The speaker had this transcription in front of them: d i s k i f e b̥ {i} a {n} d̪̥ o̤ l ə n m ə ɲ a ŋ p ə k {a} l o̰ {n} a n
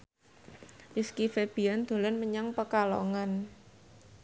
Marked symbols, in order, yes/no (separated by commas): yes, yes, yes, no